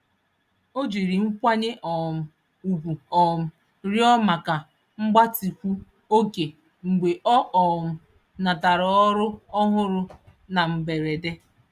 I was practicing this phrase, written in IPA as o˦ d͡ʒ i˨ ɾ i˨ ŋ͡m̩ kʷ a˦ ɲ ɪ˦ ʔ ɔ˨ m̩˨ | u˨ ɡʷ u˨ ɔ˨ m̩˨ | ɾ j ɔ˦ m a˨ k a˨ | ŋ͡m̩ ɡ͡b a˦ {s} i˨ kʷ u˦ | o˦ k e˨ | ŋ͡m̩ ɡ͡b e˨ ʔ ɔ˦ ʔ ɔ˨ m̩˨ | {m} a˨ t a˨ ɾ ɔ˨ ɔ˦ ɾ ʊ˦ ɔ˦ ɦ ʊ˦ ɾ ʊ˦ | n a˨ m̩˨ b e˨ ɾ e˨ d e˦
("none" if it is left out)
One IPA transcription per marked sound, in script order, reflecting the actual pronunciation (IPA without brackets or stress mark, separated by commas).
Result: t, n